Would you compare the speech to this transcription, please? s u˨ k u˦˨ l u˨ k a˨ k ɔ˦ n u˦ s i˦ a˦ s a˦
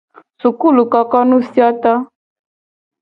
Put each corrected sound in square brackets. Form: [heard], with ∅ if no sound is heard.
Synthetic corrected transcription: s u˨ k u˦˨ l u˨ k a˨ k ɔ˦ n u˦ s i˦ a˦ [t] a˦